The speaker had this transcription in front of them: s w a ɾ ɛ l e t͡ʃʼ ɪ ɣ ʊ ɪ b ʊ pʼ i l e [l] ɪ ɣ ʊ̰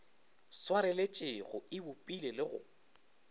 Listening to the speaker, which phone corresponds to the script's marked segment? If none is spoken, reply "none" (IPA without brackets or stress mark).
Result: l